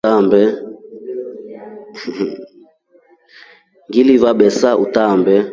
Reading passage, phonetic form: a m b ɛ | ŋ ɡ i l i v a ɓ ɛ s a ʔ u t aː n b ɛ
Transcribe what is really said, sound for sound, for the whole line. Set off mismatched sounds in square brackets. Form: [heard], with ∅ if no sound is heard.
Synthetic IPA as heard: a m b ɛ | ŋ ɡ i l i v a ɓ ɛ s a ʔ u t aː [m] b ɛ